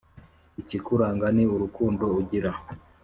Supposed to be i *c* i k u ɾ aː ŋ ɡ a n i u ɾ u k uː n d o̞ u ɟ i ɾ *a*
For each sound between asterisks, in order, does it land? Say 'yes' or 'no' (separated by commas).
yes, yes